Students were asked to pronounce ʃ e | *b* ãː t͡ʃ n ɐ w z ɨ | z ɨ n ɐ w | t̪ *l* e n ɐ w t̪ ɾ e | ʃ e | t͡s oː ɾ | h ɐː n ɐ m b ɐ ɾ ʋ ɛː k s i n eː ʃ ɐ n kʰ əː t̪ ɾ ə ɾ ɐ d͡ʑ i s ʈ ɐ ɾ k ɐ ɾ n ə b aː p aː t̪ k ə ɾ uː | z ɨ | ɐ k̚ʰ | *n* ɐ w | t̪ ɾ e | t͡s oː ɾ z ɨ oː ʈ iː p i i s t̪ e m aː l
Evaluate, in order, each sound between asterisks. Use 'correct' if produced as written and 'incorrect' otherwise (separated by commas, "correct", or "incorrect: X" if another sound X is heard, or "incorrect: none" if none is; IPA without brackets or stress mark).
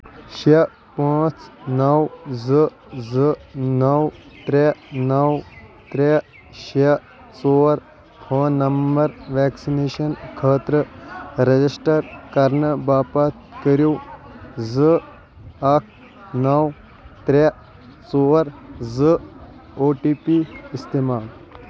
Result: incorrect: p, incorrect: ɾ, correct